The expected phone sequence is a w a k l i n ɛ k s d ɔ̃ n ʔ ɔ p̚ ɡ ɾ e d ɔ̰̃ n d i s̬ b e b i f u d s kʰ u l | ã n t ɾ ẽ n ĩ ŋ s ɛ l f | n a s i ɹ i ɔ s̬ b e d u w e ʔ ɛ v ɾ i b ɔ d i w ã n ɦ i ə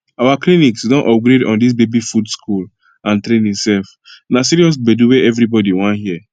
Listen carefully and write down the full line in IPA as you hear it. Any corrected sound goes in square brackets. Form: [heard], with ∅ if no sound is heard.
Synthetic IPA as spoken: a w a k l i n [i] k s d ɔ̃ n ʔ ɔ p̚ ɡ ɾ e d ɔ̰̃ n d i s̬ b e b i f u d s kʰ u l | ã n t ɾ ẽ n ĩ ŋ s ɛ l f | n a s i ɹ i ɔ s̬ b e d u w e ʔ ɛ v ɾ i b ɔ d i w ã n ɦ i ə